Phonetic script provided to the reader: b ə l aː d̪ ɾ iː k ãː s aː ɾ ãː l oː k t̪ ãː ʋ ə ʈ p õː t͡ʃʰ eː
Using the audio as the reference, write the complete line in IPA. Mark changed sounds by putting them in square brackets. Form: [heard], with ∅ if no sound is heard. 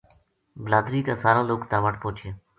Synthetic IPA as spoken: b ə l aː d̪ ɾ iː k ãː s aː ɾ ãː l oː k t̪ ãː ʋ ə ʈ p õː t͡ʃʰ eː